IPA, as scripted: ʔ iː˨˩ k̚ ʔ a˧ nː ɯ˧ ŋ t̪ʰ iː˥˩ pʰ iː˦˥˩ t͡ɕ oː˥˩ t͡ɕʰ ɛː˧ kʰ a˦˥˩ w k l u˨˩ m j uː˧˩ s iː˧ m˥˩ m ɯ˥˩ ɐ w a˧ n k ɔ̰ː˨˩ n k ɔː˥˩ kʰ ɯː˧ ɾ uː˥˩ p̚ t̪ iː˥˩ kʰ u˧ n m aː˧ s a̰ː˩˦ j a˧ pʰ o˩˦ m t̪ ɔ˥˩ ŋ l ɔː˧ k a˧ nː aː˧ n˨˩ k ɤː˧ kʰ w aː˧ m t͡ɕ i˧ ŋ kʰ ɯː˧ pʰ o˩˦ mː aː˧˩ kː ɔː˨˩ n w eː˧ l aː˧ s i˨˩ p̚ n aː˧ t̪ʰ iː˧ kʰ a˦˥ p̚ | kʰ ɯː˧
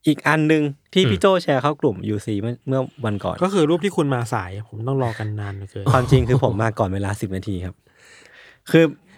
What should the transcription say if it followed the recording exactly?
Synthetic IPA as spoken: ʔ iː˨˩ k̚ ʔ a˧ nː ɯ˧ ŋ t̪ʰ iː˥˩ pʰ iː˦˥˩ t͡ɕ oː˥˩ t͡ɕʰ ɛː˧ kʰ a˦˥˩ w k l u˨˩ m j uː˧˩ s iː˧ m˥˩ m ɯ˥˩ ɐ w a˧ n k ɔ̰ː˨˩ n k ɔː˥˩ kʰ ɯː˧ ɾ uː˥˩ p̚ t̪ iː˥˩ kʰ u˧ n m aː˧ s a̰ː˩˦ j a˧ pʰ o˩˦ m t̪ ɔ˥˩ ŋ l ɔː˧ k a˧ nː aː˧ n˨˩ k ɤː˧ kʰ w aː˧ m t͡ɕ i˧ ŋ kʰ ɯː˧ pʰ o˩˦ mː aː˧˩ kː ɔː˨˩ n w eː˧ l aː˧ s i˨˩ p̚ n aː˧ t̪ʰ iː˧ kʰ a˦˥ p̚ | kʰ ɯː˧